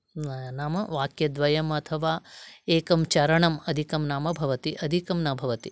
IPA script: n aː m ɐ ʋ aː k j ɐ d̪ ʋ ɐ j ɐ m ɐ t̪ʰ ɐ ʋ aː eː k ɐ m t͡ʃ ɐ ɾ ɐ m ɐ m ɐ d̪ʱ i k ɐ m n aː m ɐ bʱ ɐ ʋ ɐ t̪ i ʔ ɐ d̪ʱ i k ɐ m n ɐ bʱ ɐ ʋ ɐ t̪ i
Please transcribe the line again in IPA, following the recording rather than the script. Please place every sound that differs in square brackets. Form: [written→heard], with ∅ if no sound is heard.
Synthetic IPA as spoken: n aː m ɐ ʋ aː k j ɐ d̪ ʋ ɐ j ɐ m ɐ t̪ʰ ɐ ʋ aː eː k ɐ m t͡ʃ ɐ ɾ ɐ [m→ɳ] ɐ m ɐ d̪ʱ i k ɐ m n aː m ɐ bʱ ɐ ʋ ɐ t̪ i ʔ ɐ d̪ʱ i k ɐ m n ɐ bʱ ɐ ʋ ɐ t̪ i